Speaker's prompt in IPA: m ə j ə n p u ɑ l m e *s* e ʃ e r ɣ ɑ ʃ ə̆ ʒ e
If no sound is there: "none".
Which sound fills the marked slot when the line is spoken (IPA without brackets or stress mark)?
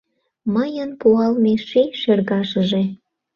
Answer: ʃ